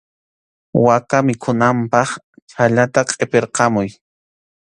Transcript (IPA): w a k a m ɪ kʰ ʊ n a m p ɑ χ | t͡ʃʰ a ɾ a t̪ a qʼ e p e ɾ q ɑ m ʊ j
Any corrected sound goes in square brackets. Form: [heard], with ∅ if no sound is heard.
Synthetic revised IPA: w a k a m ɪ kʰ ʊ n a m p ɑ χ | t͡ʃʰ a [ʎ] a t̪ a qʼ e p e ɾ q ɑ m ʊ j

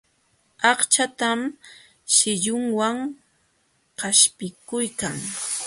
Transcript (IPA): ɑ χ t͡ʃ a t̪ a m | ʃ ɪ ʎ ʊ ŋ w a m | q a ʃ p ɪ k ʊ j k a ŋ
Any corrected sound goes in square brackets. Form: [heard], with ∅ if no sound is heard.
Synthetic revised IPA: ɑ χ t͡ʃ a t̪ a m | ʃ ɪ ʎ ʊ ŋ w a [ŋ] | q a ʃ p ɪ k ʊ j k a ŋ

